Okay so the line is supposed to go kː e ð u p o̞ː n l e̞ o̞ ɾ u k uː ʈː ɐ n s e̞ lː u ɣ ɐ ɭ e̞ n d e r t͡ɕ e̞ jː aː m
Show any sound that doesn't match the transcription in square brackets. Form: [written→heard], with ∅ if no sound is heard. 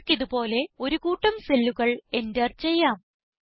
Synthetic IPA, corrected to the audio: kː [e→i] ð u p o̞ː [n→∅] l e̞ o̞ ɾ u k uː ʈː ɐ [n→m] s e̞ lː u ɣ ɐ ɭ e̞ n d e r t͡ɕ e̞ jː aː m

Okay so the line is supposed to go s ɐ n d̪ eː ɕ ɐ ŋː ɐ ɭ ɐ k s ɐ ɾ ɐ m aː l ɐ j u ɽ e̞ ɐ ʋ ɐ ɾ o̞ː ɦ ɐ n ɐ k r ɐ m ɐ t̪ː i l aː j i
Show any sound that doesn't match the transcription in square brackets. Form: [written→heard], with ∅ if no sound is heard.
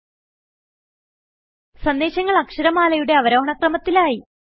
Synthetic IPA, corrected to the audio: s ɐ n d̪ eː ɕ ɐ ŋː ɐ ɭ ɐ k [s→ʂ] ɐ ɾ ɐ m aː l ɐ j u ɽ e̞ ɐ ʋ ɐ ɾ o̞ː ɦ ɐ [n→ɳ] ɐ k r ɐ m ɐ t̪ː i l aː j i

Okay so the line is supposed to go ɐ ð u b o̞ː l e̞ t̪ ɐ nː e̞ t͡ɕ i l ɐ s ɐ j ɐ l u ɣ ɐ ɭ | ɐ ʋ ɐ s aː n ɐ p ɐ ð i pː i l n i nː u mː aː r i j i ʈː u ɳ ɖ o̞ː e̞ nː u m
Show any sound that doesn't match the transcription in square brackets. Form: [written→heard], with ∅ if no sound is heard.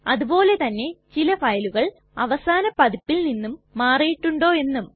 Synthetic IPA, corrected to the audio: ɐ ð u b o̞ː l e̞ t̪ ɐ nː e̞ t͡ɕ i l ɐ [s→f] ɐ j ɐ l u ɣ ɐ ɭ | ɐ ʋ ɐ s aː n ɐ p ɐ ð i pː i l n i nː u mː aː r i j i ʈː u ɳ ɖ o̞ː e̞ nː u m

